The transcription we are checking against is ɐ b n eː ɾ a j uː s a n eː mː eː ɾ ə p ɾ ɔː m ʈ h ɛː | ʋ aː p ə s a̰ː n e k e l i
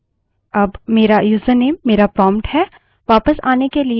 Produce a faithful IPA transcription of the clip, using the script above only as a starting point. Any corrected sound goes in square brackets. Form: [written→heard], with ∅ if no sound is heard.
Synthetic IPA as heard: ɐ b [n→m] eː ɾ a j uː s [a→ə] n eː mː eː ɾ [ə→a] p ɾ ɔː m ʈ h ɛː | ʋ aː p ə s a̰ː n e k e l i

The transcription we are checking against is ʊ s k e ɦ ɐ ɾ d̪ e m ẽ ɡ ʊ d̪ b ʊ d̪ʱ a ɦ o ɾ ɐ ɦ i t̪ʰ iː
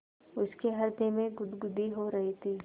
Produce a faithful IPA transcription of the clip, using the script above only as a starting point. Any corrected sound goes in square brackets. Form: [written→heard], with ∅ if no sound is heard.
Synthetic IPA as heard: ʊ s k e ɦ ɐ ɾ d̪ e m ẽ ɡ ʊ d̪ [b→ɡ] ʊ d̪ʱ [a→i] ɦ o ɾ ɐ ɦ i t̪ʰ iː

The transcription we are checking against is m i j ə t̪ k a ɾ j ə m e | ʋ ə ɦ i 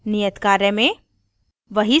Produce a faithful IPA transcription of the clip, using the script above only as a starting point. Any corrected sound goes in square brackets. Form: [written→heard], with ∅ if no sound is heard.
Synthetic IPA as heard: [m→n] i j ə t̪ k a ɾ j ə m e | ʋ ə ɦ i

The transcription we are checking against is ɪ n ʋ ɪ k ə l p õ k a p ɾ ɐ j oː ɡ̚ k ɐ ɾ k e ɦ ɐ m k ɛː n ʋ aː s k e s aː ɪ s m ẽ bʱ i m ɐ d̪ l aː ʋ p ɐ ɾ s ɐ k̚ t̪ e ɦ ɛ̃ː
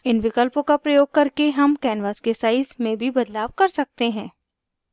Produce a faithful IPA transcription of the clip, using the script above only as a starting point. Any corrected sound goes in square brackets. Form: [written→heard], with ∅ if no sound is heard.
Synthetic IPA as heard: ɪ n ʋ ɪ k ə l p õ k a p ɾ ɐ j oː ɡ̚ k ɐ ɾ k e ɦ ɐ m k ɛː n ʋ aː s k e s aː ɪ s m ẽ bʱ i [m→b] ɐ d̪ l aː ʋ [p→k] ɐ ɾ s ɐ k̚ t̪ e ɦ ɛ̃ː

